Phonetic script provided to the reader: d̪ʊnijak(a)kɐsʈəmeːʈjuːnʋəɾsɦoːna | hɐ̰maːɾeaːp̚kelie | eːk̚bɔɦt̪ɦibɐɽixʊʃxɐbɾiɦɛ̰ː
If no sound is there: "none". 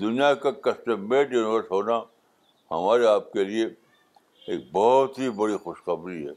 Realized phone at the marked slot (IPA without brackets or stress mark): a